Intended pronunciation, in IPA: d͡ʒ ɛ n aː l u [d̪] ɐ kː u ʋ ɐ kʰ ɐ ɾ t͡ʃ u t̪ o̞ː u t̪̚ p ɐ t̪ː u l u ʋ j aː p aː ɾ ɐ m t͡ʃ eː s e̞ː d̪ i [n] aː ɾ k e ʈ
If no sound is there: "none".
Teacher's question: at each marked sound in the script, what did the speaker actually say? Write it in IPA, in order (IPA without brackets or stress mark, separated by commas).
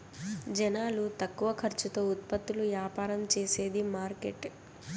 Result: t̪, m